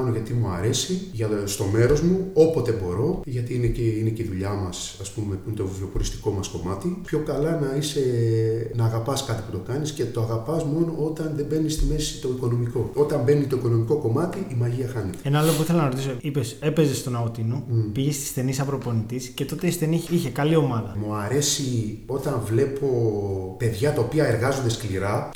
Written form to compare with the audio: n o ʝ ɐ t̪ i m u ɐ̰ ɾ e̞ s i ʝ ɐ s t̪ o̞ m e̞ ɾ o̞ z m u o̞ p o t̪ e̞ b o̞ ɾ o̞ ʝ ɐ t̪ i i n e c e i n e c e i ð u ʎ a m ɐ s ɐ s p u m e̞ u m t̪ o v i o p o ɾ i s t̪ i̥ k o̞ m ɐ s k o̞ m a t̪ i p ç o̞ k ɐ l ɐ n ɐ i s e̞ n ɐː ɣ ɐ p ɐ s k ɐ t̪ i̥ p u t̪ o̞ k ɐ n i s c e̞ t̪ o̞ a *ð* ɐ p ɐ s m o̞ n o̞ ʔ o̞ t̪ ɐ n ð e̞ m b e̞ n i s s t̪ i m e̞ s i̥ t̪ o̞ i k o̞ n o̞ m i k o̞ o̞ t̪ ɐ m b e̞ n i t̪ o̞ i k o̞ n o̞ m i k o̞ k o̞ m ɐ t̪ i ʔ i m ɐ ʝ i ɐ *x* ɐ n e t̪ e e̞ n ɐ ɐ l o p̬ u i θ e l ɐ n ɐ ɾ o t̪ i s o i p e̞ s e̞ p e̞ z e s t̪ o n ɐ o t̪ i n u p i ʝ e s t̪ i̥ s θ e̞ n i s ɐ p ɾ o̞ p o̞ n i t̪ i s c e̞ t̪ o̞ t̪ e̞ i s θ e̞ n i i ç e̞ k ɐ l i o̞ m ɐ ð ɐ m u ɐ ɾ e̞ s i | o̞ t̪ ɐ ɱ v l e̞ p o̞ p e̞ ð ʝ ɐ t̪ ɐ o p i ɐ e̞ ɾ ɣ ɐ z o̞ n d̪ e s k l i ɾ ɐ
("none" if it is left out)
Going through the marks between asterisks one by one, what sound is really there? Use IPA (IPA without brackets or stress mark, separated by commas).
ɣ, x